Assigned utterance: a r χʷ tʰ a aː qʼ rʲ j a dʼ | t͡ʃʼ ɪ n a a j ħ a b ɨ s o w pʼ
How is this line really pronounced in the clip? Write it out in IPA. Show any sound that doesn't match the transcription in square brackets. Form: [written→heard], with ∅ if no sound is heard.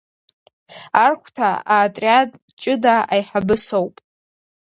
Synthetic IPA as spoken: a r χʷ tʰ a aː [qʼ→tʼ] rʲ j a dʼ | t͡ʃʼ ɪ [n→d] a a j ħ a b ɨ s o w pʼ